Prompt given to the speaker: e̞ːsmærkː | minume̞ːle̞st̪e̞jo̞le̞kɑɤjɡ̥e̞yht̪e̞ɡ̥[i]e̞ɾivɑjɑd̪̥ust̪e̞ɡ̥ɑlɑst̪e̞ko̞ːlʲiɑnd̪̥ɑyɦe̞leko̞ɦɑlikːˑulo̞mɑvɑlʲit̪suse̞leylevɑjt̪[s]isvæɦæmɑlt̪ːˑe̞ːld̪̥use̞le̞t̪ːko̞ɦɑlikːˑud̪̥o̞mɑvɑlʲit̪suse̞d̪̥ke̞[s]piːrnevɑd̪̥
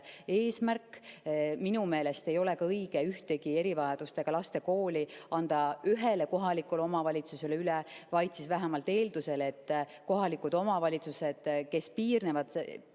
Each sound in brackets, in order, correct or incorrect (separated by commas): correct, correct, correct